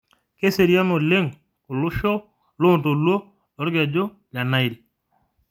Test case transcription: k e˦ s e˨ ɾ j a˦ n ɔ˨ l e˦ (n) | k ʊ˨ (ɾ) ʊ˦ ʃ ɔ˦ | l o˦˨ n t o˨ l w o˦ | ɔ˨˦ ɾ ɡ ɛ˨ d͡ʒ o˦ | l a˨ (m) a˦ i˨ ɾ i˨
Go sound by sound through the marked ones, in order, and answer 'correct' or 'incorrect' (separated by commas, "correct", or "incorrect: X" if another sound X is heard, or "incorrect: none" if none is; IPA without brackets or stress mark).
incorrect: ŋ, incorrect: l, incorrect: n